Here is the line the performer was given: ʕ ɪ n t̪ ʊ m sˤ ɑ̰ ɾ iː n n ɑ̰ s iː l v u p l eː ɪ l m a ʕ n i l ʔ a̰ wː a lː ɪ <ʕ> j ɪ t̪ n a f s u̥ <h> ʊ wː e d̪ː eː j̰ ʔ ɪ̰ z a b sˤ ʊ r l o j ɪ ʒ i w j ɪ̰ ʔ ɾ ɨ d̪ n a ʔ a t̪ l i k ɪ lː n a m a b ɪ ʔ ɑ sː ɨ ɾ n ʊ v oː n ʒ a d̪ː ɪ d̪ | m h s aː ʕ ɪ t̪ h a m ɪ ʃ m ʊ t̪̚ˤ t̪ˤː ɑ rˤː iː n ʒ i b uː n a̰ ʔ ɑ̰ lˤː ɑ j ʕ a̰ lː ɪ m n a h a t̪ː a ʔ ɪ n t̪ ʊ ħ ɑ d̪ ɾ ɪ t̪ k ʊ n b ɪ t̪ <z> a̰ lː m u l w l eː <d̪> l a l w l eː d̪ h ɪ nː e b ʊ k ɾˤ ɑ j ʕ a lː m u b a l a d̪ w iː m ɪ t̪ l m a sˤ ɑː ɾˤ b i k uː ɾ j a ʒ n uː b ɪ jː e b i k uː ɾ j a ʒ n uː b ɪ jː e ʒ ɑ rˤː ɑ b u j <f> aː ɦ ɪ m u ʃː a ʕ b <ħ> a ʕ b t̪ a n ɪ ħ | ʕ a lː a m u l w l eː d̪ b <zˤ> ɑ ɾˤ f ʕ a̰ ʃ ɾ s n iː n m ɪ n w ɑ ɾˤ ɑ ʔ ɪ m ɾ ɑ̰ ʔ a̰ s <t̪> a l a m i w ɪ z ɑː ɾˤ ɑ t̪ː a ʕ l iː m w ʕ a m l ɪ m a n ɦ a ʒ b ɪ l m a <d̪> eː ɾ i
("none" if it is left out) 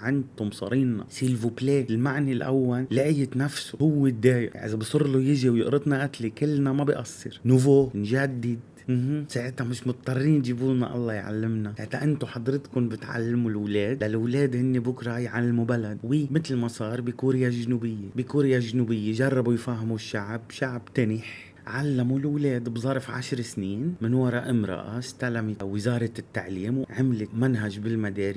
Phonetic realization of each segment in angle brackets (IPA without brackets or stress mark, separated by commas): ʕ, h, ʕ, d̪, f, ʃ, zˤ, t̪, d̪